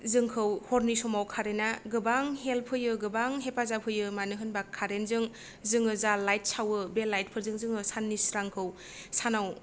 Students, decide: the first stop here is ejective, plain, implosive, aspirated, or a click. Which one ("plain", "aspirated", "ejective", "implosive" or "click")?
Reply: aspirated